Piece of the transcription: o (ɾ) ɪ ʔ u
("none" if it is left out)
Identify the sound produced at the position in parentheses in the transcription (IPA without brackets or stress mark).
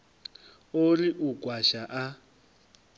l